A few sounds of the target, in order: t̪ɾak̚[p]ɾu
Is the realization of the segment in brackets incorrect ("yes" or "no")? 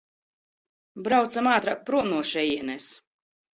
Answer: no